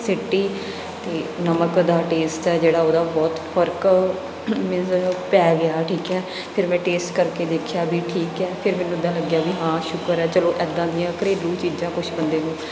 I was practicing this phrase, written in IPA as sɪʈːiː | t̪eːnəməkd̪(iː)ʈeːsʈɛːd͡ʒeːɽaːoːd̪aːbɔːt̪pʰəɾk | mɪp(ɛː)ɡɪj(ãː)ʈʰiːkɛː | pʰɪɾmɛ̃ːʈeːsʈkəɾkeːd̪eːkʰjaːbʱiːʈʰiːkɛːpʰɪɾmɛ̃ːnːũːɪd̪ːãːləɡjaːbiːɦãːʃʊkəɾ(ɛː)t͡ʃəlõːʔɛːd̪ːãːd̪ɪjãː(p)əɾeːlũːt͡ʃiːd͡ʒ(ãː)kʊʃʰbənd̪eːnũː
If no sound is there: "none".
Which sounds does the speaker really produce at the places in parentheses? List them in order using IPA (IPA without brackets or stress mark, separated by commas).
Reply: aː, ɛː, aː, ɛː, k, ãː